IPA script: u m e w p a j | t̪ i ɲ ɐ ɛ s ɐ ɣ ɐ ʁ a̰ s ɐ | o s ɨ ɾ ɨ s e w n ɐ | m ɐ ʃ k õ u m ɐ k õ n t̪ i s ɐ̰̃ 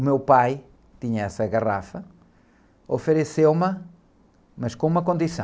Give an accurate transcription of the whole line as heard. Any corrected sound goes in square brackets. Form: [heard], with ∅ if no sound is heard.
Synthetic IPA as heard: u m e w p a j | t̪ i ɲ ɐ ɛ s ɐ ɣ ɐ ʁ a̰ [f] ɐ | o [f] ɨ ɾ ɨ s e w [m] ɐ | m ɐ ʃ k õ u m ɐ k õ n [d̪] i s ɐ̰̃

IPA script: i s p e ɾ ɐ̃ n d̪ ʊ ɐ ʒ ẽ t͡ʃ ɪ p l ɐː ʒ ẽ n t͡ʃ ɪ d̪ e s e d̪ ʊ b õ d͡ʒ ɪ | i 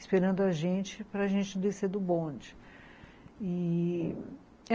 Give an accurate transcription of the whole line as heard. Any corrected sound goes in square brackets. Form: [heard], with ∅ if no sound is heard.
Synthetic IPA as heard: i s p e ɾ ɐ̃ n d̪ ʊ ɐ ʒ ẽ t͡ʃ ɪ p [ɾ] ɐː ʒ ẽ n t͡ʃ ɪ d̪ e s e d̪ ʊ b õ d͡ʒ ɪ | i

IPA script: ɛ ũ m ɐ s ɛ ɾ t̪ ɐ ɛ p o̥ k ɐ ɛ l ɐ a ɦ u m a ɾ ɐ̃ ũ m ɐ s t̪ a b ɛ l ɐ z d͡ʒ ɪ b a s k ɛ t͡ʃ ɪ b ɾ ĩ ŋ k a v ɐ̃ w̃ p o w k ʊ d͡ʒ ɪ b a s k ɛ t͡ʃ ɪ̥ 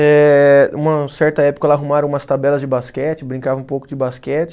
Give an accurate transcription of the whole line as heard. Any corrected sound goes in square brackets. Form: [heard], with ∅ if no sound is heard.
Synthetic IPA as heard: ɛ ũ m ɐ s ɛ ɾ t̪ ɐ ɛ p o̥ k ɐ ɛ l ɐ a ɦ u m a ɾ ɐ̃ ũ m ɐ s t̪ a b ɛ l ɐ z d͡ʒ ɪ b a s k ɛ t͡ʃ ɪ b ɾ ĩ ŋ k a v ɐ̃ [ũ] p o w k ʊ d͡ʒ ɪ b a s k ɛ t͡ʃ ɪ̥

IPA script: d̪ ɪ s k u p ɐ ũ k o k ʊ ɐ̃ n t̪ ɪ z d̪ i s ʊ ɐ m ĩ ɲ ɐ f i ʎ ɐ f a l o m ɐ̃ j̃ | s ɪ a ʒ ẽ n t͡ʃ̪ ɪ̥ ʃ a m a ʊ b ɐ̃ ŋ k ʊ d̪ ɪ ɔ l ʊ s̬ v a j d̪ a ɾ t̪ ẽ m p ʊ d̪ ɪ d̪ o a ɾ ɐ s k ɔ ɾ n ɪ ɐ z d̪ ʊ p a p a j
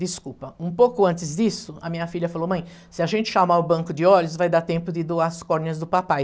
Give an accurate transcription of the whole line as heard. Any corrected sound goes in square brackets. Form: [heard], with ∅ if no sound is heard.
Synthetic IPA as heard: d̪ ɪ s k u p ɐ ũ [p] o k ʊ ɐ̃ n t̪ ɪ z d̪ i s ʊ ɐ m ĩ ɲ ɐ f i ʎ ɐ f a l o m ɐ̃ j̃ | s ɪ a ʒ ẽ n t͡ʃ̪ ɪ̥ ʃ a m a ʊ b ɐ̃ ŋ k ʊ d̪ ɪ ɔ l ʊ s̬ v a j d̪ a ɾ t̪ ẽ m p ʊ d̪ ɪ d̪ o a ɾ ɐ s k ɔ ɾ n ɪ ɐ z d̪ ʊ p a p a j

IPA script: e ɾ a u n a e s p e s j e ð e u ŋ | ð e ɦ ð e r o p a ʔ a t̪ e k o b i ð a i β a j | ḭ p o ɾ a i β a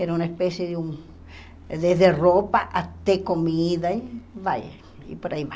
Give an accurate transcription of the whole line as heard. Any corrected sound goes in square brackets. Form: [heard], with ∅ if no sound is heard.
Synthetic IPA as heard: e ɾ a u n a e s p e s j e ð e u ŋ | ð e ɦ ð e r o p a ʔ a t̪ e k o [m] i ð a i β a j | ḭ p o ɾ a i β a

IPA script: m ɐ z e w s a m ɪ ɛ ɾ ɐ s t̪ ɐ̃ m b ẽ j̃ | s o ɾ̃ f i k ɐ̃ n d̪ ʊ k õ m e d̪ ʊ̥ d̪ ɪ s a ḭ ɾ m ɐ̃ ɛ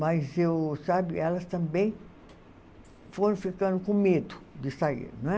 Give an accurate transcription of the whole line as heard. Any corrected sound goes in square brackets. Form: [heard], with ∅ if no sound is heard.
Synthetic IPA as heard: m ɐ z e w s a [b] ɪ ɛ [l] ɐ s t̪ ɐ̃ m b ẽ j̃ | [f] o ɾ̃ f i k ɐ̃ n d̪ ʊ k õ m e d̪ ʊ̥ d̪ ɪ s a ḭ ɾ [n] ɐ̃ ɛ

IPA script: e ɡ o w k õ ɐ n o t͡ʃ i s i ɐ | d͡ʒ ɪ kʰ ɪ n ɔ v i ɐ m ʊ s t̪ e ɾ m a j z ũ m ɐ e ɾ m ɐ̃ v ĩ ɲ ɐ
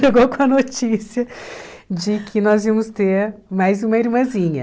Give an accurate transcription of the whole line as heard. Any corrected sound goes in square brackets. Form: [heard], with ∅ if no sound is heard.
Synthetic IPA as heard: e ɡ o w k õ ɐ n o t͡ʃ i s i ɐ | d͡ʒ ɪ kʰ ɪ n ɔ [z] i ɐ m ʊ s t̪ e ɾ m a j z ũ m ɐ [i] ɾ m ɐ̃ [z] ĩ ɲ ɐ

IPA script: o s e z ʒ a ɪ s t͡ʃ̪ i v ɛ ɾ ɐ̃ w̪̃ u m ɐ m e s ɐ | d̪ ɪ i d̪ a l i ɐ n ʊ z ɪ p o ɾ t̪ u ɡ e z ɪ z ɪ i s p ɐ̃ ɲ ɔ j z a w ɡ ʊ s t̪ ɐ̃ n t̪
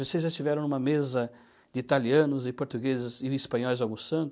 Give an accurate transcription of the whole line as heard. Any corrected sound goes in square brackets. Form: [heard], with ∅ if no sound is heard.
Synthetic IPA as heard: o s e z ʒ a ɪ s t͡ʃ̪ i v ɛ ɾ ɐ̃ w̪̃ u m ɐ m e [z] ɐ | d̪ ɪ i [t̪] a l i [ɐ̃] n ʊ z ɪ p o ɾ t̪ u ɡ e z ɪ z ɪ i s p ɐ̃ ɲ ɔ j z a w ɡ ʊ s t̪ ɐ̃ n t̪

